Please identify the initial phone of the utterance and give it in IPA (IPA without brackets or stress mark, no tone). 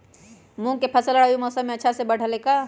m